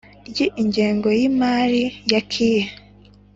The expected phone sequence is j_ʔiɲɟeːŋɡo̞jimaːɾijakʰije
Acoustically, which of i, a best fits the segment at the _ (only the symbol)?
i